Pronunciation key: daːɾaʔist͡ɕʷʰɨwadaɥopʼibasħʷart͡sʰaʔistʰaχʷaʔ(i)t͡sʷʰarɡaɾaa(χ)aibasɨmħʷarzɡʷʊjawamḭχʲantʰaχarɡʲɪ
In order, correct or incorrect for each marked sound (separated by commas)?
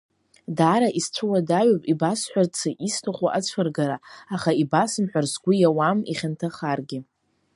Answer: incorrect, correct